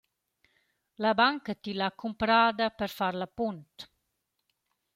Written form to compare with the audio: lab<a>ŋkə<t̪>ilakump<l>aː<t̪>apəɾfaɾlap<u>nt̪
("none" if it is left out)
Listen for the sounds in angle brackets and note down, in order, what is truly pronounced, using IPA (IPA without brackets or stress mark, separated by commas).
a, t̪, ɾ, d̪, u